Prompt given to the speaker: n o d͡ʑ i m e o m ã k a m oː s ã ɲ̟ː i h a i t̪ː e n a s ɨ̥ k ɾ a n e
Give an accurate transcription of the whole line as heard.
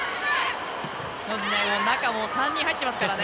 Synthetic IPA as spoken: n o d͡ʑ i n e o n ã k a m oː s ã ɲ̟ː ĩ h a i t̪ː e m a s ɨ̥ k ɾ a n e